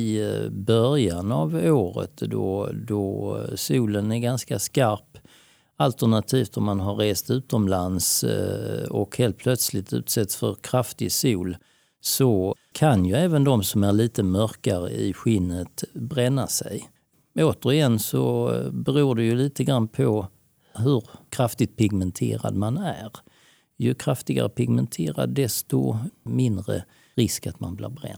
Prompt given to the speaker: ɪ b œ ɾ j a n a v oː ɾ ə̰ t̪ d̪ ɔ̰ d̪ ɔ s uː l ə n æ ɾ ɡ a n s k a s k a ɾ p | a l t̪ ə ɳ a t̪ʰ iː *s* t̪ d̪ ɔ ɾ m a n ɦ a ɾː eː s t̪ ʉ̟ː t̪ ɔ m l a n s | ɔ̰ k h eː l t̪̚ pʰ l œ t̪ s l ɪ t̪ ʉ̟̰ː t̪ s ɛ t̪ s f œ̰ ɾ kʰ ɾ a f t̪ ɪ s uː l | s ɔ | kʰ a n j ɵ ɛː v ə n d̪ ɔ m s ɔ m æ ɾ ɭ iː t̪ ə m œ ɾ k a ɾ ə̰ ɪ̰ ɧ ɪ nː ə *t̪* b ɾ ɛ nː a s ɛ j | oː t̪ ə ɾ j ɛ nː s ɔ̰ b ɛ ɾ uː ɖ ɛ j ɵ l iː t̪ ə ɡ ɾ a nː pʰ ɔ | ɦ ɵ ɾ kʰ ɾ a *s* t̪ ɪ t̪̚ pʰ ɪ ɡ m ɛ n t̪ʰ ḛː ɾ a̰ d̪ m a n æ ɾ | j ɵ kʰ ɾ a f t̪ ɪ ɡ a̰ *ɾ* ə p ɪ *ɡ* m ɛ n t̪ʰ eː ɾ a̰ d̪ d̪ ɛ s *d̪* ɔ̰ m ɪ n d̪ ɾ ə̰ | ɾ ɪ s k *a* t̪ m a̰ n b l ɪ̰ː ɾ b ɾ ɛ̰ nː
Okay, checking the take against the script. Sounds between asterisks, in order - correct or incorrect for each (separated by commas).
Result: incorrect, correct, incorrect, correct, correct, incorrect, correct